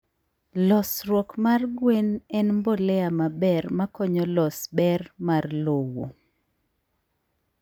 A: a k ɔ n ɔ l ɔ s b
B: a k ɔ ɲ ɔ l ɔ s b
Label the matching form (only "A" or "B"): B